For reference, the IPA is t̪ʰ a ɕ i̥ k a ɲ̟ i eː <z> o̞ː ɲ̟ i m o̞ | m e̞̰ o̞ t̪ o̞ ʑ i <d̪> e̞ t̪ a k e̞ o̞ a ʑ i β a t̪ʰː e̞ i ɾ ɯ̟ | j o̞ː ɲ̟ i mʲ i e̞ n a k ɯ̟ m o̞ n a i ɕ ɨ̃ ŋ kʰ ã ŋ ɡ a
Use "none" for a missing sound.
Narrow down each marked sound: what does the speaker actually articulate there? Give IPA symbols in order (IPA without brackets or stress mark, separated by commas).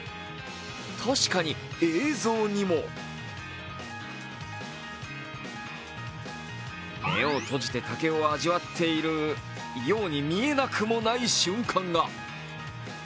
z, t̪